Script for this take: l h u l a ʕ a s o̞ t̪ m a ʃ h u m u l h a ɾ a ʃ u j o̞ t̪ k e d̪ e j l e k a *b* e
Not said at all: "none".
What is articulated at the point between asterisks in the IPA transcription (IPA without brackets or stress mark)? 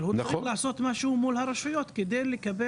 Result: b